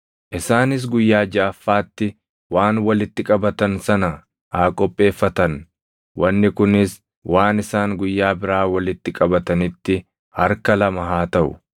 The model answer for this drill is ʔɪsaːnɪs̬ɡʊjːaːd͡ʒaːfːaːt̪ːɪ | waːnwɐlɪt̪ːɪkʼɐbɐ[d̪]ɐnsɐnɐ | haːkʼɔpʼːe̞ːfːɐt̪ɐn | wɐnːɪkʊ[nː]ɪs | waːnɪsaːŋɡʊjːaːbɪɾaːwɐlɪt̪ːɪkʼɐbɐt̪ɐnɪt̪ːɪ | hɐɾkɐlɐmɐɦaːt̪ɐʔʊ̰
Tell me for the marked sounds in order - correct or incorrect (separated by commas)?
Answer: incorrect, incorrect